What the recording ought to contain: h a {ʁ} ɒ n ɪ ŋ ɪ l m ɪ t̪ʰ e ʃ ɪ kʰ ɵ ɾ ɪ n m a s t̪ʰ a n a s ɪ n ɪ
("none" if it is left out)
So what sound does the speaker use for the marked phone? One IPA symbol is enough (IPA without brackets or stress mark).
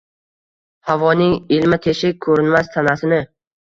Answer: v